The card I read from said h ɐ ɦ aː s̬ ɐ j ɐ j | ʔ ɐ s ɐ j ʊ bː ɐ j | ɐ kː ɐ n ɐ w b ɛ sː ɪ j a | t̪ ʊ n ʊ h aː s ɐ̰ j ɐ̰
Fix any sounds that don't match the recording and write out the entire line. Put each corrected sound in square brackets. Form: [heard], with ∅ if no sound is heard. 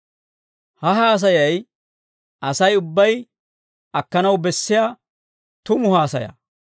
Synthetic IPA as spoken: h ɐ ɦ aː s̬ ɐ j ɐ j | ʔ ɐ s ɐ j ʊ bː ɐ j | ɐ kː ɐ n ɐ w b ɛ sː ɪ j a | t̪ ʊ [m] ʊ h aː s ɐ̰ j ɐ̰